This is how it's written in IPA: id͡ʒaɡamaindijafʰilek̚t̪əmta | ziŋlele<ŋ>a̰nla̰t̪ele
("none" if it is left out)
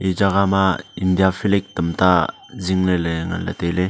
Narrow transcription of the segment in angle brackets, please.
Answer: ŋ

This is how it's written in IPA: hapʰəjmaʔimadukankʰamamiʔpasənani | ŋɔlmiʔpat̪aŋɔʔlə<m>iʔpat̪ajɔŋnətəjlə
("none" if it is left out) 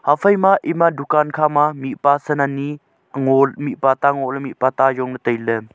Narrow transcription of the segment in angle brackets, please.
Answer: m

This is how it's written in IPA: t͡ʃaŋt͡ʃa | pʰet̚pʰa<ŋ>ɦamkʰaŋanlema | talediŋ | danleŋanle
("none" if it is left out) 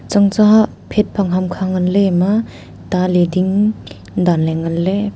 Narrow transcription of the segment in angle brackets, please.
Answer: ŋ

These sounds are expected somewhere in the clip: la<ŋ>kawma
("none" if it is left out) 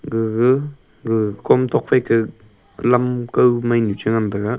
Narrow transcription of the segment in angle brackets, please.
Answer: m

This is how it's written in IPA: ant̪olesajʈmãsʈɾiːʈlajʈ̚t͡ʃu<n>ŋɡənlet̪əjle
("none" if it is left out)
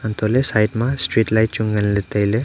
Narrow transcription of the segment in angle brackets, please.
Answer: none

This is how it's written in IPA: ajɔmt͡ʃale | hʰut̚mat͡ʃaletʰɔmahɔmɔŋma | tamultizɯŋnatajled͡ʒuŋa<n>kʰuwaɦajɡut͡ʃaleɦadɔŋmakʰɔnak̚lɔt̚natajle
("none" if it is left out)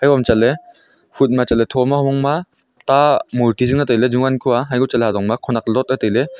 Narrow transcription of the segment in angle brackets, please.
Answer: n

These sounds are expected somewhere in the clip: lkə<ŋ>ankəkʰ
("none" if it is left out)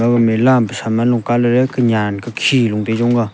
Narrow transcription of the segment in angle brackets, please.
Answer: ɲ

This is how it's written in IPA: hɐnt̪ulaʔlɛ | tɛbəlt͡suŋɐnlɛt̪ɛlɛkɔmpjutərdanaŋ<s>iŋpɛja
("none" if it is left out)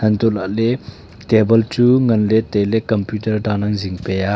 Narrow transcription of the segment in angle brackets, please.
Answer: z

